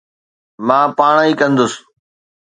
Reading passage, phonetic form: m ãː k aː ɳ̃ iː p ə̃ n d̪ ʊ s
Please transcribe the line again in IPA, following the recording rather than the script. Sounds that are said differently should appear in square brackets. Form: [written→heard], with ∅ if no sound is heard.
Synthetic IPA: m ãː [k→p] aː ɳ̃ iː [p→k] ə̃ n d̪ ʊ s